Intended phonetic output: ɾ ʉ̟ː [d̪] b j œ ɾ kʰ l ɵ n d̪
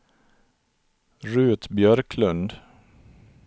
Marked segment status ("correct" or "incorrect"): incorrect